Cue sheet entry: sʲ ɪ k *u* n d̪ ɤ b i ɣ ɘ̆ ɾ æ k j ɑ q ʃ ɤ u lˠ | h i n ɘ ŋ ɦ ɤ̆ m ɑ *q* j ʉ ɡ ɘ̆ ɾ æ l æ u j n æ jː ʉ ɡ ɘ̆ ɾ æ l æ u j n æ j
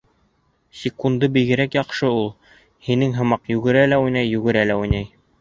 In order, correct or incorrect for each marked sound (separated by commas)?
correct, correct